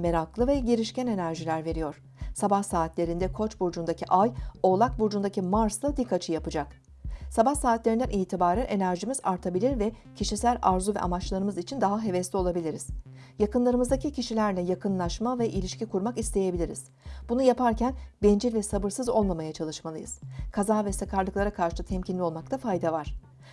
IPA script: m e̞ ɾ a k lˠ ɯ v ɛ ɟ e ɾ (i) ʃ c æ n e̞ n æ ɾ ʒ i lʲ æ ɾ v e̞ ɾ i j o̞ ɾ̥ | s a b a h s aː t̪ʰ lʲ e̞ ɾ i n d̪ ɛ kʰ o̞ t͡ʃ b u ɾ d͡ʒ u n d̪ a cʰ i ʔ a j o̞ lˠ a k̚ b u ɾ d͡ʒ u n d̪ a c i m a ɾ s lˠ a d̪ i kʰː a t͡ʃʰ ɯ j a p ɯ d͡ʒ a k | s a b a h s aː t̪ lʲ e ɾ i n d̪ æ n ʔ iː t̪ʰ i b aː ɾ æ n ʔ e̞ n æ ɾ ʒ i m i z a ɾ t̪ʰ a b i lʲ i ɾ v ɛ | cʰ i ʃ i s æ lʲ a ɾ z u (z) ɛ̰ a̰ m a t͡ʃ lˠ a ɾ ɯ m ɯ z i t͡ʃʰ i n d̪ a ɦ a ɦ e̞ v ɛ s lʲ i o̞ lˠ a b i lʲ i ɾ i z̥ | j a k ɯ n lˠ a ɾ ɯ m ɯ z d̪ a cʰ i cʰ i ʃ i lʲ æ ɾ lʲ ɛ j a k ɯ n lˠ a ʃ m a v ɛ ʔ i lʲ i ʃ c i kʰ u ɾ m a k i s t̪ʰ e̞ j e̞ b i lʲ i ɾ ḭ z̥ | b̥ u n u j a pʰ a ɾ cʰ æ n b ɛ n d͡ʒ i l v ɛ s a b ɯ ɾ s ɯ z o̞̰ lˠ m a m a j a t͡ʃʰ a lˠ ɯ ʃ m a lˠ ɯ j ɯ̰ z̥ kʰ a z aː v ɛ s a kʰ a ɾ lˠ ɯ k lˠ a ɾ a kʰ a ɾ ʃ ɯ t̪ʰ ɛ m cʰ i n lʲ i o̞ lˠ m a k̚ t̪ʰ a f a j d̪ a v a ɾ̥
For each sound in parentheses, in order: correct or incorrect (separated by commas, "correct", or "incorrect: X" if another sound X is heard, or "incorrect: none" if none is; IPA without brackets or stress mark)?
correct, incorrect: v